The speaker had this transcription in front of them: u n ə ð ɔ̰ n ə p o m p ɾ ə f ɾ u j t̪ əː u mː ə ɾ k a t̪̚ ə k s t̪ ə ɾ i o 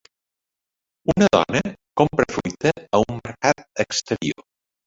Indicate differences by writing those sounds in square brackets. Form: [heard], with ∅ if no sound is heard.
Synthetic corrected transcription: u n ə ð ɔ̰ n ə [k] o m p ɾ ə f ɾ u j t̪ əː u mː ə ɾ k a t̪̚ ə k s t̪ ə ɾ i o